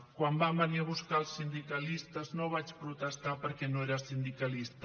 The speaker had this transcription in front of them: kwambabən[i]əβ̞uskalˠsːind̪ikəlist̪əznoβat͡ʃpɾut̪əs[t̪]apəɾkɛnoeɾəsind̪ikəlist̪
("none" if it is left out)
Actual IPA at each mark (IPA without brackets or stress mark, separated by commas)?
i, t̪